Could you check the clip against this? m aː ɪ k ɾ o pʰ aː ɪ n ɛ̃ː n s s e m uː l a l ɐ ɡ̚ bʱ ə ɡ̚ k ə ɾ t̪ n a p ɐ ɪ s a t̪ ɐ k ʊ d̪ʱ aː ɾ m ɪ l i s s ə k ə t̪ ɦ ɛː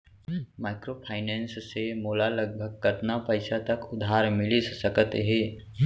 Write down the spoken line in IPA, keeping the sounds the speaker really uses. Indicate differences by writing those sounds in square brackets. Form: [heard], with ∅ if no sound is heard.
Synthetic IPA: m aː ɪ k ɾ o pʰ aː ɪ n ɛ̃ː n s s e m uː l a l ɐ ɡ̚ bʱ ə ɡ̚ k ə ɾ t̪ n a p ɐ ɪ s a t̪ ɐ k ʊ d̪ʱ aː ɾ m ɪ l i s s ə k ə t̪ ɦ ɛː